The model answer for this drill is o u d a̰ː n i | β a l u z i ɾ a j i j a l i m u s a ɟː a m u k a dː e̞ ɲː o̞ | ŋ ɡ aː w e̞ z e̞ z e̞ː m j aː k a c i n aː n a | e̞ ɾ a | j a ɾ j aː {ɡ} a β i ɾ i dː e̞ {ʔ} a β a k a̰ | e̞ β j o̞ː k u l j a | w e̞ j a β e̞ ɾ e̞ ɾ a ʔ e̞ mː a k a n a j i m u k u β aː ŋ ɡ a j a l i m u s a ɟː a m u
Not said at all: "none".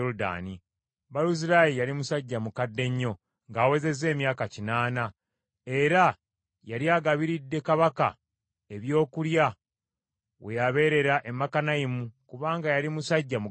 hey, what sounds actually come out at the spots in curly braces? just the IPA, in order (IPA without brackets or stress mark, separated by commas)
ɡ, k